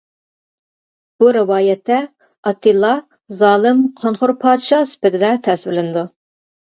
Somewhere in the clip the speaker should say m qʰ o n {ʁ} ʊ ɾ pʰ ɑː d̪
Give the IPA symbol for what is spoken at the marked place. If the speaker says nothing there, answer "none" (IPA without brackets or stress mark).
χ